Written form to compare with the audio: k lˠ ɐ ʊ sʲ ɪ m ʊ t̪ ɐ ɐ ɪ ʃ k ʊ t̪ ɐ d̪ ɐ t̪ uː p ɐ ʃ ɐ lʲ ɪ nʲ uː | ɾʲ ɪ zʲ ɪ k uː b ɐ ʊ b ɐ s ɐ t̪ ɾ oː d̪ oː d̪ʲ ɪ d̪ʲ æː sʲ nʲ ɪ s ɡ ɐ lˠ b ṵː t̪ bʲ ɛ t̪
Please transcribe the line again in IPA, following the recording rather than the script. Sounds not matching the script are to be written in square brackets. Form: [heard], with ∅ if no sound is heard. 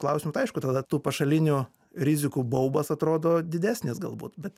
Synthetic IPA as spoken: k lˠ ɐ ʊ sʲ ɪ m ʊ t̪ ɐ ɐ ɪ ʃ k ʊ t̪ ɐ d̪ ɐ t̪ uː p ɐ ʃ ɐ lʲ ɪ nʲ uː | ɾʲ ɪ zʲ ɪ k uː b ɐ ʊ b ɐ s ɐ t̪ ɾ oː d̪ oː d̪ʲ ɪ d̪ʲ æː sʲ nʲ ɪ s ɡ ɐ lˠ b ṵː t̪ bʲ ɛ t̪